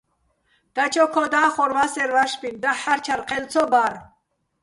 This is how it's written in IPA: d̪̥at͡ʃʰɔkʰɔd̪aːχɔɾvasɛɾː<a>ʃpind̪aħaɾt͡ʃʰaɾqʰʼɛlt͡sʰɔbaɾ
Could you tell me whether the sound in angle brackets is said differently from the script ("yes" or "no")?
no